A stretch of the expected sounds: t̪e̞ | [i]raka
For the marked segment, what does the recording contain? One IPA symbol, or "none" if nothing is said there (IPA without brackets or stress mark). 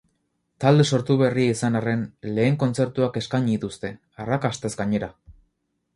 a